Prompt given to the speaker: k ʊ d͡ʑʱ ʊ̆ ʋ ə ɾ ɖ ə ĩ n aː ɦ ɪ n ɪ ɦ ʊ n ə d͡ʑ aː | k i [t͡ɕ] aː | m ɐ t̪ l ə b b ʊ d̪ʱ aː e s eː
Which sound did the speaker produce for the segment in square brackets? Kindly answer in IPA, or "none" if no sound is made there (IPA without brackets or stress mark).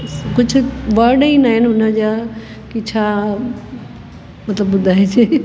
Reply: t͡ɕʰ